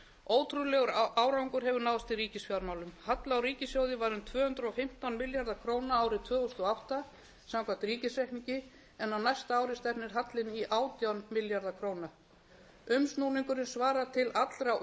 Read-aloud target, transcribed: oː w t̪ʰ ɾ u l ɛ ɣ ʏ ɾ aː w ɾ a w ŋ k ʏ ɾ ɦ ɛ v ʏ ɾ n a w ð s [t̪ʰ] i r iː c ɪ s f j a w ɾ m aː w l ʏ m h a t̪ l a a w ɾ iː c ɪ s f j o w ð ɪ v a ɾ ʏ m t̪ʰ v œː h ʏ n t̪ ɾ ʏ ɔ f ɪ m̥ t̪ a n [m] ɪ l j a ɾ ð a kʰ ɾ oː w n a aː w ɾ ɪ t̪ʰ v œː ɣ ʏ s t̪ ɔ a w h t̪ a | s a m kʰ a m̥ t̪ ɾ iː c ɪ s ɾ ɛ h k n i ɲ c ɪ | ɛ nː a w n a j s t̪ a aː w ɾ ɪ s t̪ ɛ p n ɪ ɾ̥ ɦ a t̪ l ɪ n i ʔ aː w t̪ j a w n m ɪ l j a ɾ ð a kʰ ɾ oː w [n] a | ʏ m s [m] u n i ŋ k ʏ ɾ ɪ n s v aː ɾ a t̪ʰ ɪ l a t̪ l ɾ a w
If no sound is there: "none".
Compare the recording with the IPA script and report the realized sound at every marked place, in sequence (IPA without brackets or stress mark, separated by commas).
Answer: t̪, m, n, n